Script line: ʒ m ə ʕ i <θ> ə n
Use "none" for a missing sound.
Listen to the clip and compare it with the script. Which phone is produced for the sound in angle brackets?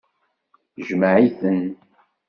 θ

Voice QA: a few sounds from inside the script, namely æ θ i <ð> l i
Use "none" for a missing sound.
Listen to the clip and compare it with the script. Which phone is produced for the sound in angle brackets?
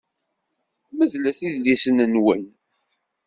ð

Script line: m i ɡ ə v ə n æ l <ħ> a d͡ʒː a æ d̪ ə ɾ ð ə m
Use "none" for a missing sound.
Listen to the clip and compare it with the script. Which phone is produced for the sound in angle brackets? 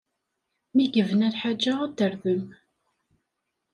ħ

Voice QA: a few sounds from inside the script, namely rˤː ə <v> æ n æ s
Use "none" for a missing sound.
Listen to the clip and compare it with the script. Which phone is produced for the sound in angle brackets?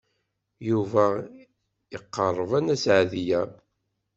v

